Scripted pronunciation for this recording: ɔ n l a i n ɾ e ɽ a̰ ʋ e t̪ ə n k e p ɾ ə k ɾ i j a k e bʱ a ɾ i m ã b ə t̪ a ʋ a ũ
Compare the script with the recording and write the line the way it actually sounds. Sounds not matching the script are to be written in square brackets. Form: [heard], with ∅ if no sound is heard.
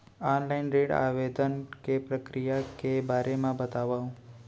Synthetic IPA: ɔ n l a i n ɾ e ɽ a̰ ʋ e [d̪] ə n k e p ɾ ə k ɾ i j a k e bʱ a ɾ [e] m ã b ə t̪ a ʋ a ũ